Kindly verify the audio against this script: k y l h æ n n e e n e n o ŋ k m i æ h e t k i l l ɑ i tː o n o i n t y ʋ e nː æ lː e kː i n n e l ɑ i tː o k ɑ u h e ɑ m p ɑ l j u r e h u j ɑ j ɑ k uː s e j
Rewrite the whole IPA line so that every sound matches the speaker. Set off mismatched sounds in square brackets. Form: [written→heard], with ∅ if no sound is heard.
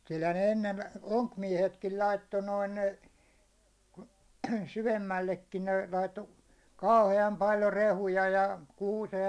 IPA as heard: k y l h æ n n e e [n→nː] e n o ŋ k m i [æ→ɛ] h e t k i l l ɑ i tː o n o i n [t→s] y ʋ e [nː→mː] æ lː e kː i n n e l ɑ i tː o k ɑ u h e ɑ m p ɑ l j [u→o] r e h u j ɑ j ɑ k uː s e j